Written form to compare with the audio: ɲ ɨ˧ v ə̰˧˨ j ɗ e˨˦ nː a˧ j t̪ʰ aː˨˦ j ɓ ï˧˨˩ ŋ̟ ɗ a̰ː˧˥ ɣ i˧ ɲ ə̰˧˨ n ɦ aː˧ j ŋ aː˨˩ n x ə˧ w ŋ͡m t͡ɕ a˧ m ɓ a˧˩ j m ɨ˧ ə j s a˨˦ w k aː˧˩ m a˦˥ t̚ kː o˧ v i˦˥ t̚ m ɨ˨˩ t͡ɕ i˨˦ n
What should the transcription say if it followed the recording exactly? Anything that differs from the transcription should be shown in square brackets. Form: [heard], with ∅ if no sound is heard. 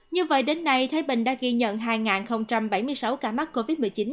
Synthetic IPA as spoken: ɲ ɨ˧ v ə̰˧˨ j ɗ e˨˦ nː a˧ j t̪ʰ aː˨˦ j ɓ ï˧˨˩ ŋ̟ ɗ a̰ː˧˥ ɣ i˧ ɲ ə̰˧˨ n ɦ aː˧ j ŋ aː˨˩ n x ə˧ w ŋ͡m t͡ɕ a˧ m ɓ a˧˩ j m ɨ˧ ə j s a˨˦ w k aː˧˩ m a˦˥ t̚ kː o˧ v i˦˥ t̚ m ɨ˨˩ t͡ɕ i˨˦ n